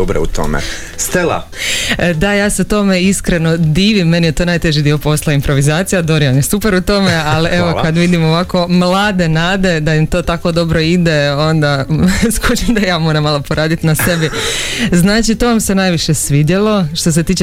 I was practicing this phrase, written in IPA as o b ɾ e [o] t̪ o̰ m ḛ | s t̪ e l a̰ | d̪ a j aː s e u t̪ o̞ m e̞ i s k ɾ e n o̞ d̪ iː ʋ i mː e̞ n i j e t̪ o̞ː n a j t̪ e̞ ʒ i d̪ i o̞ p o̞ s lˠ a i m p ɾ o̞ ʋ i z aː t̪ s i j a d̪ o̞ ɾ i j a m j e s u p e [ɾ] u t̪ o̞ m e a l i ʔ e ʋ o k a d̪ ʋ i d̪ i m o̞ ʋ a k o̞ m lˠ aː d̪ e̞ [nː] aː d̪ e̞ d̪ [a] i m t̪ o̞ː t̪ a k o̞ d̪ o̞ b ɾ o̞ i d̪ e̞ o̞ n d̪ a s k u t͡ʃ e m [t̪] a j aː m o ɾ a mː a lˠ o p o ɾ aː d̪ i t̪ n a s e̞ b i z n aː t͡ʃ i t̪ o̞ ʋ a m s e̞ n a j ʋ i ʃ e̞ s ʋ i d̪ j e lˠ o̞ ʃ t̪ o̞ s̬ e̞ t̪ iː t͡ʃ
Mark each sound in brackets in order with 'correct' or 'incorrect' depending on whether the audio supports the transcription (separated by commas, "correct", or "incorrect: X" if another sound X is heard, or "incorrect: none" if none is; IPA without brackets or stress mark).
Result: incorrect: u, correct, incorrect: n, correct, incorrect: d̪